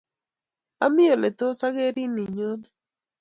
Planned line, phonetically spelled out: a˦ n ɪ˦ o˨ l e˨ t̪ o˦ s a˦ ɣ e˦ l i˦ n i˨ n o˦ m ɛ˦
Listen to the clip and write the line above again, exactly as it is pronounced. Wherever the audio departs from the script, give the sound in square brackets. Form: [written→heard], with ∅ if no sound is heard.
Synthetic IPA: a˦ [n→m] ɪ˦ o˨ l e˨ t̪ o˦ s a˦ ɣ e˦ [l→ɾ] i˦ n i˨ [n→ɲ] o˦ [m→n] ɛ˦